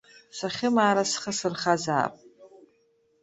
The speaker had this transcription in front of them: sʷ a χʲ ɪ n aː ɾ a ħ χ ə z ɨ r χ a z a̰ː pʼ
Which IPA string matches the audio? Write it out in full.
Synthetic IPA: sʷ a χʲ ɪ m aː ɾ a s χ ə s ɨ r χ a z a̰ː pʼ